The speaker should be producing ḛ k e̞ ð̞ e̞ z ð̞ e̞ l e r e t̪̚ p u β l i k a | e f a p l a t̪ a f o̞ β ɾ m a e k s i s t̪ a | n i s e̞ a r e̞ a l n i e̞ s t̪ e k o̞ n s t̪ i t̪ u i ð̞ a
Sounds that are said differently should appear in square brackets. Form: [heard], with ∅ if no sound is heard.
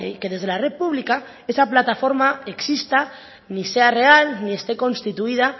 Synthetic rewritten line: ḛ k e̞ ð̞ e̞ z ð̞ e̞ l [a] r e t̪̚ p u β l i k a | e [s] a p l a t̪ a f o̞ [∅] ɾ m a e k s i s t̪ a | n i s e̞ a r e̞ a l n i e̞ s t̪ e k o̞ n s t̪ i t̪ u i ð̞ a